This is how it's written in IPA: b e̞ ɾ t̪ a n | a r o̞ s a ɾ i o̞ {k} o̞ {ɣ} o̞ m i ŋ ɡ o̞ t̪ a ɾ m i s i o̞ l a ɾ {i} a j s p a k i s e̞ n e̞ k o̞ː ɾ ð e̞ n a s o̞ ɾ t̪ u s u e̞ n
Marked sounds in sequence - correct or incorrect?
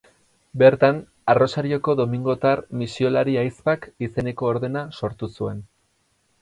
correct, incorrect: ð, correct

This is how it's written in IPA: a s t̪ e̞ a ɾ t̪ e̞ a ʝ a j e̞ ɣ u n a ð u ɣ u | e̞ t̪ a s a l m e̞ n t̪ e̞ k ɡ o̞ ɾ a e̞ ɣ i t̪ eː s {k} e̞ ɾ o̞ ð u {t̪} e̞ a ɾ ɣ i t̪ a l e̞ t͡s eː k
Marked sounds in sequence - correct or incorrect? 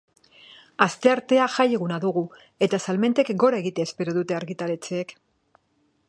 incorrect: p, correct

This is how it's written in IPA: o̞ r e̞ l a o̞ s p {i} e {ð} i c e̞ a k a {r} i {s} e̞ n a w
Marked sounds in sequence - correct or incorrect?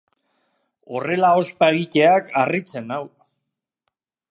incorrect: a, incorrect: ɣ, correct, incorrect: t͡s

